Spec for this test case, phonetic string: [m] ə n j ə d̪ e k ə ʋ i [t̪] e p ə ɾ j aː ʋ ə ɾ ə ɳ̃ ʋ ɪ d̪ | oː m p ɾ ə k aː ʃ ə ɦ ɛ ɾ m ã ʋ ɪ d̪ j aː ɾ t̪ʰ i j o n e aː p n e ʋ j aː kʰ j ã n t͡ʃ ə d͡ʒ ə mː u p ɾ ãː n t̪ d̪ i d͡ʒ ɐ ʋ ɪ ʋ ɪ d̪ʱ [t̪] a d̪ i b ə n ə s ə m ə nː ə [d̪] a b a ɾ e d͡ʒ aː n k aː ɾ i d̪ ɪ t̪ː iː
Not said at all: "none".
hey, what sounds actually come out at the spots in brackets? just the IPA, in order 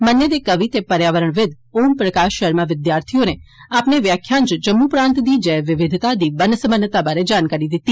m, t̪, t̪, t̪

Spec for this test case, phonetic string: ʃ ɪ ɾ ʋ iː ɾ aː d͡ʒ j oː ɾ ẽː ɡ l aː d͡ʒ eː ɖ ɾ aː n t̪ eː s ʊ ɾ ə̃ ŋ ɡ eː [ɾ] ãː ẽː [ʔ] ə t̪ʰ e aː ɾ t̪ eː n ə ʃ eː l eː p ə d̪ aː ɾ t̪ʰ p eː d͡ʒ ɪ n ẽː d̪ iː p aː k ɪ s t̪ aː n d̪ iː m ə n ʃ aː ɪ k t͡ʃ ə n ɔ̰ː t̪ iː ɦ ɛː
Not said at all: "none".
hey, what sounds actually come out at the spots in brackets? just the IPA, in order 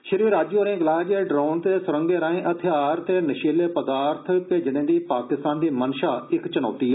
ɾ, ʔ

